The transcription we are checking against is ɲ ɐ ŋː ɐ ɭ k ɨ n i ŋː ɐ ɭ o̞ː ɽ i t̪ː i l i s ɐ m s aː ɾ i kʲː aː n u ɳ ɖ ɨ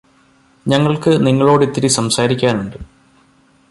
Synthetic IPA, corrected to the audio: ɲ ɐ ŋː ɐ ɭ k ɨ n i ŋː ɐ ɭ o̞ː ɽ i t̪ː i ɾ i s ɐ m s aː ɾ i kʲː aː n u ɳ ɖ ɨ